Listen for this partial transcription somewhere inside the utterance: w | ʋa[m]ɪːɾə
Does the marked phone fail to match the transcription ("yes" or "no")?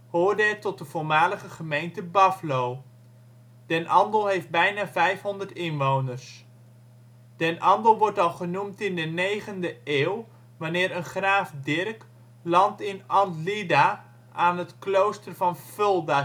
yes